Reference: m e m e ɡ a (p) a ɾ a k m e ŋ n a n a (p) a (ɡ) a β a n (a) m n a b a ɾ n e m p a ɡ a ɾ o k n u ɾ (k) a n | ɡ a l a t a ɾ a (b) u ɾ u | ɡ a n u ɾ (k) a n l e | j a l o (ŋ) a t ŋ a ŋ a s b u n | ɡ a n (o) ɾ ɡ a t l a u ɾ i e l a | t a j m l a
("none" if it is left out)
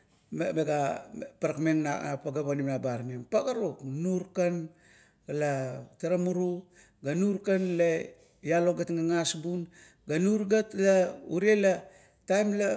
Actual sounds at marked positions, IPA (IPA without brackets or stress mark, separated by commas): p, p, ɡ, i, k, m, k, ɡ, u